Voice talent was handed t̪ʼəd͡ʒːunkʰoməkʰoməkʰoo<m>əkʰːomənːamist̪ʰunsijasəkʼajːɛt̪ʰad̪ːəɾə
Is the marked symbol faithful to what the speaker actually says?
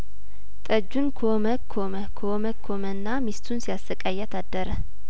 yes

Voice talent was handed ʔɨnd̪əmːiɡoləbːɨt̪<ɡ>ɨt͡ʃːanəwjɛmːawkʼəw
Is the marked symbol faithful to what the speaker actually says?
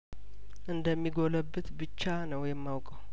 no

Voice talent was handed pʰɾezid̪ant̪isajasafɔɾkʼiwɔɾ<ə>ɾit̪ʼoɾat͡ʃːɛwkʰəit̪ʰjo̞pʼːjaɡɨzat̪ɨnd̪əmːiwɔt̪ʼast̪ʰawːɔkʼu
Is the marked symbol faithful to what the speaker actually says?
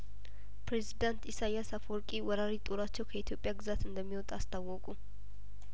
no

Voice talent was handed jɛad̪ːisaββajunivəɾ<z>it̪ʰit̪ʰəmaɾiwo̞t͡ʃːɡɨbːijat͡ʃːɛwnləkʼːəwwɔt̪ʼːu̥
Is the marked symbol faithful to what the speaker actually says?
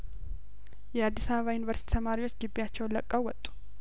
no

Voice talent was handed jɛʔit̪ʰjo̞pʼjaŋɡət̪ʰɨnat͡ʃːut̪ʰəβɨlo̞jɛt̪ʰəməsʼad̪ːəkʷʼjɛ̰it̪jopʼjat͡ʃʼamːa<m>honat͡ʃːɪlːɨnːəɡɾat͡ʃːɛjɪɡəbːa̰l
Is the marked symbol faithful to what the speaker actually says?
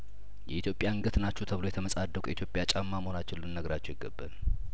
yes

